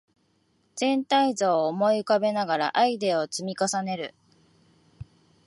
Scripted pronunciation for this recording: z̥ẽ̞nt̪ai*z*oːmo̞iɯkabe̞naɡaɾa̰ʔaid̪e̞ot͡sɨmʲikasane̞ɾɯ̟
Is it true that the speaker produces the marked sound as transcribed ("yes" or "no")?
yes